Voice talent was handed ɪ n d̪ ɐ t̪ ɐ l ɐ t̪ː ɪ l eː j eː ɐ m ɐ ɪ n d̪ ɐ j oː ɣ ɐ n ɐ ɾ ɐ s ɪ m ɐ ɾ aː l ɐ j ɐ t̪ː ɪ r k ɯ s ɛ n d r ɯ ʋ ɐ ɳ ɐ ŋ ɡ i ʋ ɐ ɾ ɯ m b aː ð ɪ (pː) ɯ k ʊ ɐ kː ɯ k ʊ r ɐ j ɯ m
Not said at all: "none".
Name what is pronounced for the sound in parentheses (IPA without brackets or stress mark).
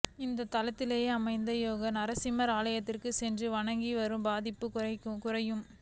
pː